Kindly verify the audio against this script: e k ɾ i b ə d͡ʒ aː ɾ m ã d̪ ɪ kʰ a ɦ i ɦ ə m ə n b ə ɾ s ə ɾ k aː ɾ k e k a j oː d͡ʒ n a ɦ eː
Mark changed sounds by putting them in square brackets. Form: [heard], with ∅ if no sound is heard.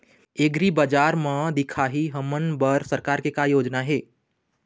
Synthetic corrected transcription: e [ɡ] ɾ i b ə d͡ʒ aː ɾ m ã d̪ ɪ kʰ a ɦ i ɦ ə m ə n b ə ɾ s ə ɾ k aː ɾ k e k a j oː d͡ʒ n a ɦ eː